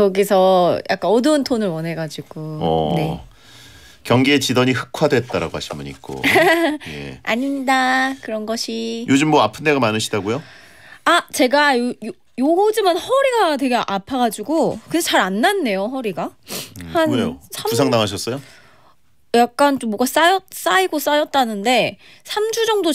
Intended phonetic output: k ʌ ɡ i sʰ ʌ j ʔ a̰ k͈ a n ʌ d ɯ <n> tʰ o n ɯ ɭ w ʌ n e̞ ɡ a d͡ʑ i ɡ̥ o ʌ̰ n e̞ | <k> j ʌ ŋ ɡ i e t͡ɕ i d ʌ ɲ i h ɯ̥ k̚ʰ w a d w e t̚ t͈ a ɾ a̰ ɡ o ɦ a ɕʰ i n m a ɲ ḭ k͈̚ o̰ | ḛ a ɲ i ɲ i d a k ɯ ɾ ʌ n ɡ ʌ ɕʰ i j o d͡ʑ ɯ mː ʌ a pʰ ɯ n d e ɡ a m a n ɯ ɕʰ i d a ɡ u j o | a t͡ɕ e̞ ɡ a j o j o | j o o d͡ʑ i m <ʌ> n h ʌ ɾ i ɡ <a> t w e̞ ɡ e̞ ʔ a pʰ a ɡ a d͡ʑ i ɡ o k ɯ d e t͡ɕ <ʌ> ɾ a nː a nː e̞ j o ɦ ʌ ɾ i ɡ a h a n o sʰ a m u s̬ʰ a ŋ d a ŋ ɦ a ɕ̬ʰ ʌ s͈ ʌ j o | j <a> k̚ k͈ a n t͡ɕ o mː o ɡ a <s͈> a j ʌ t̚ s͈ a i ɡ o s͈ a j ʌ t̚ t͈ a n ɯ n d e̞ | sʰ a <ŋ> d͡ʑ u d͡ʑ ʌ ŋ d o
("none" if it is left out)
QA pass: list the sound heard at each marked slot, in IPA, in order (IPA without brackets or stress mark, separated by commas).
n, k, a, a, a, a, s͈, m